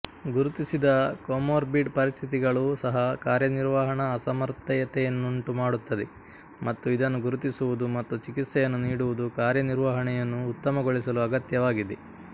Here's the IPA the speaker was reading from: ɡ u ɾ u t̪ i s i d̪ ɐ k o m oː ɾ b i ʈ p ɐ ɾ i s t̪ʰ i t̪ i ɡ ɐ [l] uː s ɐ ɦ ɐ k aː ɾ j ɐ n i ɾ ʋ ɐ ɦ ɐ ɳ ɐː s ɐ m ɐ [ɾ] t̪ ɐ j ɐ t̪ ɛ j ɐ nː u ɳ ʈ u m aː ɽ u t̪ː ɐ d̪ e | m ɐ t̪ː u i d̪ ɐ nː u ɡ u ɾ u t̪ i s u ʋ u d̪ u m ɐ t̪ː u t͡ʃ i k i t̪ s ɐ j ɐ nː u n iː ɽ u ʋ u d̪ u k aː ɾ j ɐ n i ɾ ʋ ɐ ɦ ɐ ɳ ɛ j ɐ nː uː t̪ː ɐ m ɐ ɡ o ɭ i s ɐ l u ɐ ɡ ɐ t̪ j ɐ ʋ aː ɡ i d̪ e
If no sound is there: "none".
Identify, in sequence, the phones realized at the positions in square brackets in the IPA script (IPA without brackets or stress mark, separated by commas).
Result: ɭ, ɾ